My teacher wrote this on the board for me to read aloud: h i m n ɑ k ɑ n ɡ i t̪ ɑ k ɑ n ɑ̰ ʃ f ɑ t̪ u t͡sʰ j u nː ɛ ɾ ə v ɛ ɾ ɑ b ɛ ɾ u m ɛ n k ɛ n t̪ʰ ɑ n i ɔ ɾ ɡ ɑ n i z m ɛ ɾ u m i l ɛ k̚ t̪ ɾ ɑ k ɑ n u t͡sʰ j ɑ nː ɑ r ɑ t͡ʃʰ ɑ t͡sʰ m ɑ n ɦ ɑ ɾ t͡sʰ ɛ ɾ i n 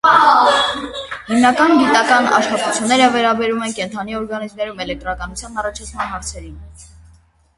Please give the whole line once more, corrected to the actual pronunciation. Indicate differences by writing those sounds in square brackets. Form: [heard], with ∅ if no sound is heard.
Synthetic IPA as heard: h i m n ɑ k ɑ n ɡ i t̪ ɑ k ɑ n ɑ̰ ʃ [χ] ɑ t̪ u t͡sʰ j u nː ɛ ɾ ə v ɛ ɾ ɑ b ɛ ɾ u m ɛ n k ɛ n t̪ʰ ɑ n i ɔ ɾ ɡ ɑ n i z m ɛ ɾ u m [ɛ] l ɛ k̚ t̪ ɾ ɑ k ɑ n u t͡sʰ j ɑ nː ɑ r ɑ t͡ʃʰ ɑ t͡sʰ m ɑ n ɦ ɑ ɾ t͡sʰ ɛ ɾ i n